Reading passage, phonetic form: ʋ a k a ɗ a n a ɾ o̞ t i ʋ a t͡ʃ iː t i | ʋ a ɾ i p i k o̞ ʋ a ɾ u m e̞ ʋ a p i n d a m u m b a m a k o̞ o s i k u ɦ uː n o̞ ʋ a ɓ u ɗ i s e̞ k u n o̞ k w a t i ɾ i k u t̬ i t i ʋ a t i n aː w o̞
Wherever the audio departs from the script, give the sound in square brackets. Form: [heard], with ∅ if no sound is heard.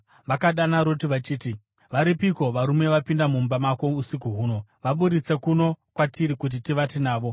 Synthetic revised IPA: ʋ a k a ɗ a n a ɾ o̞ t i ʋ a t͡ʃ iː t i | ʋ a ɾ i p i k o̞ ʋ a ɾ u m e̞ ʋ a p i n d a m u m b a m a k o̞ [u] s i k u ɦ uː n o̞ ʋ a ɓ u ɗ i [t͡s] e̞ k u n o̞ k w a t i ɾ i k u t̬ i t i ʋ a t i n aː [ʋ] o̞